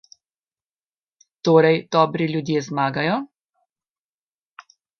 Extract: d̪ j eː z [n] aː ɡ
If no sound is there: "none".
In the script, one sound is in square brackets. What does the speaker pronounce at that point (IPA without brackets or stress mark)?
m